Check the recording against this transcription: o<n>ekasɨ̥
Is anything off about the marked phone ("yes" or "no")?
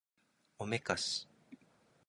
yes